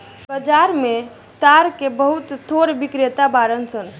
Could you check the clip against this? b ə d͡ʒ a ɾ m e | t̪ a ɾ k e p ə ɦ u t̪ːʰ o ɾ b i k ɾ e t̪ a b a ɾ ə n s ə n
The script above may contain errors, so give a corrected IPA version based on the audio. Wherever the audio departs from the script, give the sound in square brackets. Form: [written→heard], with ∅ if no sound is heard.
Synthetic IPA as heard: b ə d͡ʒ a ɾ m e | t̪ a ɾ k e [p→b] ə ɦ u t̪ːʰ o ɾ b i k ɾ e t̪ a b a ɾ ə n s ə n